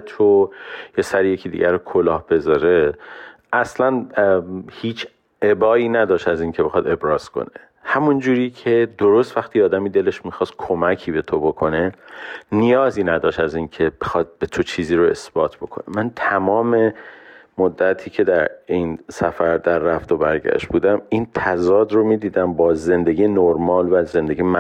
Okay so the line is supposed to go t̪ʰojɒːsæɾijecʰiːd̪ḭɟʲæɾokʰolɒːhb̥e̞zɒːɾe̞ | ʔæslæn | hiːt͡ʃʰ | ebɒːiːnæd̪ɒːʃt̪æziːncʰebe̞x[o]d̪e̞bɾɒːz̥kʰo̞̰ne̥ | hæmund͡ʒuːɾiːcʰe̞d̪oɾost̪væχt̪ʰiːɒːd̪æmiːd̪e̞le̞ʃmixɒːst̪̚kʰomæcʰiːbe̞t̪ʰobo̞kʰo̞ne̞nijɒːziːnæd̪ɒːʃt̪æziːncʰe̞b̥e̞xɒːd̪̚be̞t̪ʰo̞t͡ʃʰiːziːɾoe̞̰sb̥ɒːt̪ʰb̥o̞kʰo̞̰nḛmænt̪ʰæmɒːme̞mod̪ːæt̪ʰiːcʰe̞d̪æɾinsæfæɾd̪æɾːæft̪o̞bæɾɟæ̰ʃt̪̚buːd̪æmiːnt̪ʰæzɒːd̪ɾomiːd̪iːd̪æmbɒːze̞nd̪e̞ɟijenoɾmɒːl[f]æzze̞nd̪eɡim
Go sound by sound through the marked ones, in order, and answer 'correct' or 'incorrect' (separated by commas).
incorrect, incorrect